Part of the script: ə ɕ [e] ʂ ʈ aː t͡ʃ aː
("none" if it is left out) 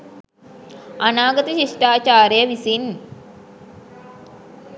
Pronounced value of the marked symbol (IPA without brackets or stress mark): i